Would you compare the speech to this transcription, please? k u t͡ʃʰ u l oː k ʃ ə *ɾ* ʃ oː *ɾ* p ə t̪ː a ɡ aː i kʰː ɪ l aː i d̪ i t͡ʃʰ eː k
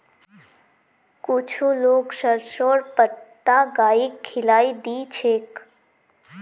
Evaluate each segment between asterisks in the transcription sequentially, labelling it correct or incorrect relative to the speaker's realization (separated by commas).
correct, correct